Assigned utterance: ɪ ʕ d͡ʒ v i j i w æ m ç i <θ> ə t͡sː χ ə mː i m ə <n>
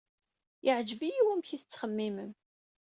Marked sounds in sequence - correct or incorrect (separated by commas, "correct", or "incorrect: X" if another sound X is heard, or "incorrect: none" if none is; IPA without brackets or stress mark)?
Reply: correct, incorrect: m